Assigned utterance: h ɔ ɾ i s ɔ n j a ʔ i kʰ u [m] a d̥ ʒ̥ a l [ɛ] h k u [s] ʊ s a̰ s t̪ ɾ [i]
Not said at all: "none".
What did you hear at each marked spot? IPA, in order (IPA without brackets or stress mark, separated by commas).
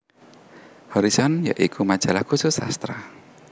m, a, s, a